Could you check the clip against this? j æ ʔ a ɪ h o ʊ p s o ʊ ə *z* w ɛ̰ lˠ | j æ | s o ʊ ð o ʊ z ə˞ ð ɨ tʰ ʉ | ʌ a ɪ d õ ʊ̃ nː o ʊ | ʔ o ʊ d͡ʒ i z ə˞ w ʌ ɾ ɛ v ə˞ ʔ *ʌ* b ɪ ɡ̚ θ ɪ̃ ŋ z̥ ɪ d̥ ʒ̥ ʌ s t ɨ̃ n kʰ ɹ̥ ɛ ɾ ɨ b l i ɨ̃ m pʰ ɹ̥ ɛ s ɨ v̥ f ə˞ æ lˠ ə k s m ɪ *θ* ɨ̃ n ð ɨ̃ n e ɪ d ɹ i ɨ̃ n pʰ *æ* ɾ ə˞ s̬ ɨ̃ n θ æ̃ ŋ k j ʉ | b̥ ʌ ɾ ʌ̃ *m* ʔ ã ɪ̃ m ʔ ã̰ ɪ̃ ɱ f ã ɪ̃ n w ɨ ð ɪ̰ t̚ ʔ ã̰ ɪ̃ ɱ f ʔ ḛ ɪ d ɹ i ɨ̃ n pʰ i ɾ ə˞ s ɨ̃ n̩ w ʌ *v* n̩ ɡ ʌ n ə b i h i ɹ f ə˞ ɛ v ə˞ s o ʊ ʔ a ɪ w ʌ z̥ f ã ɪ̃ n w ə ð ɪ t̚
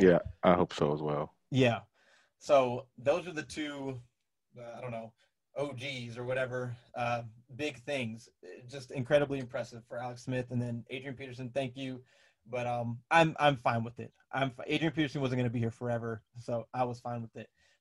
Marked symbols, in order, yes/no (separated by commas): yes, yes, yes, no, yes, no